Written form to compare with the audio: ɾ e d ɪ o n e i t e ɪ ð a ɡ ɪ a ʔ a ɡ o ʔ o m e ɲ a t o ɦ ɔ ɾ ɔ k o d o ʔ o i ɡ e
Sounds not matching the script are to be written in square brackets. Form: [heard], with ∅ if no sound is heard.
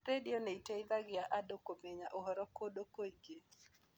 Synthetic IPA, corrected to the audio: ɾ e d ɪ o n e i t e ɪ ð a ɡ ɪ a ʔ a [d] o [k] o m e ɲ a [ʔ] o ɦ ɔ ɾ ɔ k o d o [k] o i ɡ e